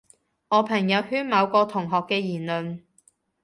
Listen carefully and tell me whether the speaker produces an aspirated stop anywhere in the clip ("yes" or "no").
yes